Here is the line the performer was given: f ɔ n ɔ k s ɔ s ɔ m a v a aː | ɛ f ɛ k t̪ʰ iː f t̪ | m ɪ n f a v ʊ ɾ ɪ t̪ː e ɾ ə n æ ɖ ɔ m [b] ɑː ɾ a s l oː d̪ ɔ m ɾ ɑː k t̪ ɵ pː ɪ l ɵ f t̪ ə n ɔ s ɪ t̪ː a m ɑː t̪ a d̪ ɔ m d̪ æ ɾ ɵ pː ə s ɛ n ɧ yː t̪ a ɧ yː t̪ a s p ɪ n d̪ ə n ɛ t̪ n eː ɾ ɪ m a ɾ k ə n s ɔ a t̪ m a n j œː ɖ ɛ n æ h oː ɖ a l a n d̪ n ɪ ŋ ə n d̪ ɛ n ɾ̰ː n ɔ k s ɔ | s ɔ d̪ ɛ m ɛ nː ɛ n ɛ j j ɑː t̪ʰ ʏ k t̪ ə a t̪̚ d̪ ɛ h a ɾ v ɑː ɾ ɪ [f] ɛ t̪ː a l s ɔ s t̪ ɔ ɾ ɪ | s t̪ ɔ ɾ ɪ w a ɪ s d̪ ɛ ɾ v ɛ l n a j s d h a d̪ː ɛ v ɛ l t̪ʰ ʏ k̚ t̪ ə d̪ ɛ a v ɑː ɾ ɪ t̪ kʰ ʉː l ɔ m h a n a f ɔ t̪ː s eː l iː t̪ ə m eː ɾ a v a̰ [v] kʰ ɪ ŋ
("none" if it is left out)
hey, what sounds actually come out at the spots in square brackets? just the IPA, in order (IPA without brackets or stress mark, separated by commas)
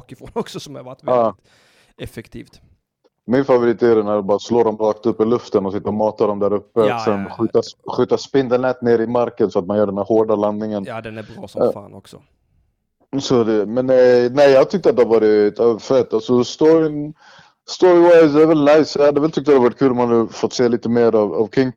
b, f, v